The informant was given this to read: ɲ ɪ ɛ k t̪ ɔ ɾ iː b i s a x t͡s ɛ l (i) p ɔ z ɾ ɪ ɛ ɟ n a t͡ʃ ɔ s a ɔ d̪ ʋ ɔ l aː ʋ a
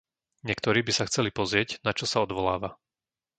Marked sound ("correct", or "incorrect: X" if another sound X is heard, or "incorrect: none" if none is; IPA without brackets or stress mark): correct